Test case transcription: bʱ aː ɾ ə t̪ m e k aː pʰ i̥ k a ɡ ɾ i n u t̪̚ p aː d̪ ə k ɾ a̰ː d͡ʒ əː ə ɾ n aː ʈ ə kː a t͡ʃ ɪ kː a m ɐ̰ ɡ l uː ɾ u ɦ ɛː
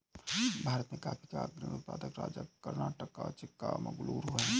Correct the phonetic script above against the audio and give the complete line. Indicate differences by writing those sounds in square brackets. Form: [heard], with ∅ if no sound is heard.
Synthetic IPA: bʱ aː ɾ ə t̪ m e k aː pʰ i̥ k a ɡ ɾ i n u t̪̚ p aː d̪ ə k ɾ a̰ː d͡ʒ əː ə ɾ n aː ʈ ə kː a t͡ʃ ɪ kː a m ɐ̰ ɡ l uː ɾ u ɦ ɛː